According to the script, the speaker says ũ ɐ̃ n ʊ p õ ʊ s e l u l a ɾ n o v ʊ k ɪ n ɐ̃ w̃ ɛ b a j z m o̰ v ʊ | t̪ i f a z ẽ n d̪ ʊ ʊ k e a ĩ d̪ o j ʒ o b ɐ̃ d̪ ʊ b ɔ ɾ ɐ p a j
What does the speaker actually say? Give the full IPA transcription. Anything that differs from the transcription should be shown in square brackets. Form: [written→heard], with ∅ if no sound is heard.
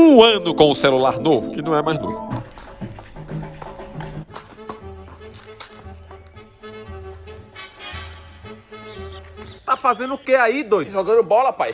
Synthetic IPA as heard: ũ ɐ̃ n ʊ [p→k] õ ʊ s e l u l a ɾ n o v ʊ k ɪ n ɐ̃ w̃ ɛ [b→m] a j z [m→n] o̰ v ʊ | t̪ [i→a] f a z ẽ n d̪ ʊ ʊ k e a [ĩ→i] d̪ o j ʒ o [b→ɡ] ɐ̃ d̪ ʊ b ɔ [ɾ→l] ɐ p a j

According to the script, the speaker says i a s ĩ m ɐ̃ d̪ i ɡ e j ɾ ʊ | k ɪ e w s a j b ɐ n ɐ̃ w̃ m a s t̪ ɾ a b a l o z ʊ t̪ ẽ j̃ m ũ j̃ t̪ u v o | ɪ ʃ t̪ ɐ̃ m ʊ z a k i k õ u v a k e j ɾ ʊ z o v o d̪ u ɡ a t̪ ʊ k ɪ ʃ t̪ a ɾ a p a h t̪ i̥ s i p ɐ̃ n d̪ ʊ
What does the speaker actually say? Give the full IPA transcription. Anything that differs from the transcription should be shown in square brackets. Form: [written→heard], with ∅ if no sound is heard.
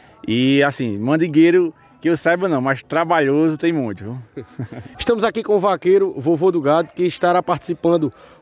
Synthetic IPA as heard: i a s ĩ m ɐ̃ d̪ i ɡ e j ɾ ʊ | k ɪ e w s a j b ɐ n ɐ̃ w̃ m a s t̪ ɾ a b a [l→ʎ] o z ʊ t̪ ẽ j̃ m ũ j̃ t̪ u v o | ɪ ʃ t̪ ɐ̃ m ʊ z a k i k õ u v a k e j ɾ ʊ [z→v] o v o d̪ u ɡ a [t̪→d̪] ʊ k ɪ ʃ t̪ a ɾ a p a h t̪ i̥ s i p ɐ̃ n d̪ ʊ

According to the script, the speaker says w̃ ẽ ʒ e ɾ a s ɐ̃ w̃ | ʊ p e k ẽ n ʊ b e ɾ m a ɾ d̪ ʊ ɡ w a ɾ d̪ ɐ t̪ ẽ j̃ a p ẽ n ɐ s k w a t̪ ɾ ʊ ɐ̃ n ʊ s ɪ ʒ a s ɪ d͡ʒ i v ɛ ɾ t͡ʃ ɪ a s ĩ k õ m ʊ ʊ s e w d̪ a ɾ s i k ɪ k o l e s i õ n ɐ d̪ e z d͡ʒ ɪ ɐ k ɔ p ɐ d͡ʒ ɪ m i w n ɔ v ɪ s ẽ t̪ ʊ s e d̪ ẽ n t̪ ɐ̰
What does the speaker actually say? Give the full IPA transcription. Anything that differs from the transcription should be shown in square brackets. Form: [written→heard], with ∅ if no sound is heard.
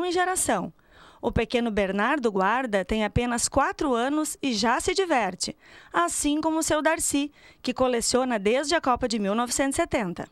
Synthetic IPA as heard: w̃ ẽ ʒ e ɾ a s ɐ̃ w̃ | ʊ p e k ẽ n ʊ b e ɾ [m→n] a ɾ d̪ ʊ ɡ w a ɾ d̪ ɐ t̪ ẽ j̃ a p ẽ n ɐ s k w a t̪ ɾ ʊ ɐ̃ n ʊ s ɪ ʒ a s ɪ d͡ʒ i v ɛ ɾ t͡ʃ ɪ a s ĩ k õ m ʊ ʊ s e w d̪ a ɾ s i k ɪ k o l e s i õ n ɐ d̪ e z d͡ʒ ɪ ɐ k ɔ p ɐ d͡ʒ ɪ m i w n ɔ v ɪ s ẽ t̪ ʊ s e [d̪→t̪] ẽ n t̪ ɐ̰

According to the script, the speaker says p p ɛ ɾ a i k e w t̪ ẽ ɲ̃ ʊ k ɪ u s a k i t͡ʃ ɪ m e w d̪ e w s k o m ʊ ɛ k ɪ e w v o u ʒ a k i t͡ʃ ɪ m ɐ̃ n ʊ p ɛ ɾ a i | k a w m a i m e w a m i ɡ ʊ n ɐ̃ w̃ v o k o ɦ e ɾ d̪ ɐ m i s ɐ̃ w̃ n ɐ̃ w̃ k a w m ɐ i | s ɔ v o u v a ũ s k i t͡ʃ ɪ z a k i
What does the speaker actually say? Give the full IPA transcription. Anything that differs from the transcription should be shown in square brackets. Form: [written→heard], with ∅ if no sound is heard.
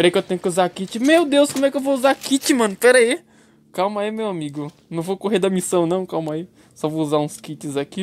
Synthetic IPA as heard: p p ɛ ɾ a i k e w t̪ ẽ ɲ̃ ʊ k ɪ u [s→z] a k i t͡ʃ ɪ m e w d̪ e w s k o m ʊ ɛ k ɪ e w v o u [ʒ→z] a k i t͡ʃ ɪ m ɐ̃ n ʊ p ɛ ɾ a i | k a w m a i m e w a m i ɡ ʊ n ɐ̃ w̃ v o k o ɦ e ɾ d̪ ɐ m i s ɐ̃ w̃ n ɐ̃ w̃ k a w m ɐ i | s ɔ v o u [v→z] a ũ s k i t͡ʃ ɪ z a k i

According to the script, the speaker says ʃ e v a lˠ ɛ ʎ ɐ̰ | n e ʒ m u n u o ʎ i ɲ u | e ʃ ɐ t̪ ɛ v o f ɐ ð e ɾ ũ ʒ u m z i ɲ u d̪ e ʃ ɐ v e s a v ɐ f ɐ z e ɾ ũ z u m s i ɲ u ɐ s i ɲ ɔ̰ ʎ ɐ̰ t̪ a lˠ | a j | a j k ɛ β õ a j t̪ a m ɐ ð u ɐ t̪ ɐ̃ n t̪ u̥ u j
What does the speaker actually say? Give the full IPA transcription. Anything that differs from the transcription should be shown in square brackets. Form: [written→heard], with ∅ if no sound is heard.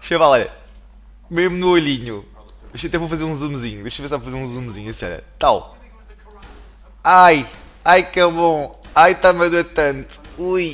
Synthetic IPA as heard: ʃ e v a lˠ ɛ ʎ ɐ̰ | [n→m] e ʒ m u n u o ʎ i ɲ u | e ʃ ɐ t̪ ɛ v o f ɐ [ð→z] e ɾ ũ [ʒ→z] u m z i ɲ u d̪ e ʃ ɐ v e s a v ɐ f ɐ z e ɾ ũ z u m [s→z] i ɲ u ɐ s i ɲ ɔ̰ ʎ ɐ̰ t̪ a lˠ | a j | a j k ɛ β õ a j t̪ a m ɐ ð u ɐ t̪ ɐ̃ n t̪ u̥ u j

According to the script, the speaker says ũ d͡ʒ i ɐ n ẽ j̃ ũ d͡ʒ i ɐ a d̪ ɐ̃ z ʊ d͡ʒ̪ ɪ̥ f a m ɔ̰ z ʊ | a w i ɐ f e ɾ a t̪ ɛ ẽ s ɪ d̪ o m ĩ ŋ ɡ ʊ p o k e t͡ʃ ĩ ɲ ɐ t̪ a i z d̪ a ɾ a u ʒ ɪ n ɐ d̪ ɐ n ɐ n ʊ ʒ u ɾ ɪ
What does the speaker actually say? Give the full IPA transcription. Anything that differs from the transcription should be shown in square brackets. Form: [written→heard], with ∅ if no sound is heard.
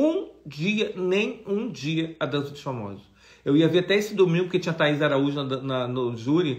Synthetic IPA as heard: ũ d͡ʒ i ɐ n ẽ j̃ ũ d͡ʒ i ɐ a d̪ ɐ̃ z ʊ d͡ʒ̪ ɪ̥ f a m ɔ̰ z ʊ | [a→e] w i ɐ [f→v] e ɾ a t̪ ɛ [ẽ→e] s ɪ d̪ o m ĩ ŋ ɡ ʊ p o k e t͡ʃ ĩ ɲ ɐ t̪ a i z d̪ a ɾ a u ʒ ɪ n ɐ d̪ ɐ n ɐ n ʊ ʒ u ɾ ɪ

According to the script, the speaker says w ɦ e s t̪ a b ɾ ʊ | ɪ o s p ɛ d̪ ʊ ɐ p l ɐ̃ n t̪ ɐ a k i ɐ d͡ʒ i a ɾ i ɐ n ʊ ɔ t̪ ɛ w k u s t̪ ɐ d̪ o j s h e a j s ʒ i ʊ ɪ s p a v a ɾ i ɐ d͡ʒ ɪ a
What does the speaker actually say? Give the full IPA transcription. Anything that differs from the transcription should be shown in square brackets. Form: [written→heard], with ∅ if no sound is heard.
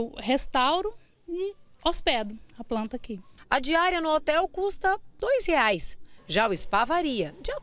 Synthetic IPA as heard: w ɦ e s t̪ a [b→w] ɾ ʊ | ɪ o s p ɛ d̪ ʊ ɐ p l ɐ̃ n t̪ ɐ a k i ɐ d͡ʒ i a ɾ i ɐ n ʊ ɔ t̪ ɛ w k u s t̪ ɐ d̪ o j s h e a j s ʒ [i→a] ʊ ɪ s p a v a ɾ i ɐ d͡ʒ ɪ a

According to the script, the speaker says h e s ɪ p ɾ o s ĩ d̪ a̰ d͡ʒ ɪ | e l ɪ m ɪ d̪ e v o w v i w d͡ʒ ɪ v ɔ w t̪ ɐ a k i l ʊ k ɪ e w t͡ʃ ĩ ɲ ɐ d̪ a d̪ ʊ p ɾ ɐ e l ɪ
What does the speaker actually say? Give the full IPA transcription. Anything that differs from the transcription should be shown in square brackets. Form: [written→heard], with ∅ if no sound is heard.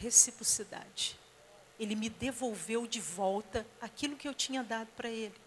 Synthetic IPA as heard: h e s [ɪ→i] p ɾ o s [ĩ→i] d̪ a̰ d͡ʒ ɪ | e l ɪ m ɪ d̪ e v o w v [i→e] w d͡ʒ ɪ v ɔ w t̪ ɐ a k i l ʊ k ɪ e w t͡ʃ ĩ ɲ ɐ d̪ a d̪ ʊ p ɾ ɐ e l ɪ

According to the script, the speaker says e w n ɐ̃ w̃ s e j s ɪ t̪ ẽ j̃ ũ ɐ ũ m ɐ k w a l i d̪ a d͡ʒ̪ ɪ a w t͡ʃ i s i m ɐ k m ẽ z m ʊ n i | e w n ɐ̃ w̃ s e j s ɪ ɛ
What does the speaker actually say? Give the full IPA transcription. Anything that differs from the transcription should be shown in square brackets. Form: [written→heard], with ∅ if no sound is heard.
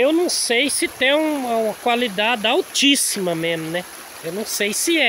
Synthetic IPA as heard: e w n ɐ̃ w̃ s e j s ɪ t̪ ẽ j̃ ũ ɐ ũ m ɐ k w a l i d̪ a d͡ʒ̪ ɪ a w t͡ʃ i s i m ɐ [k→∅] m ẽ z m ʊ n [i→ɛ] | e w n ɐ̃ w̃ s e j s ɪ ɛ

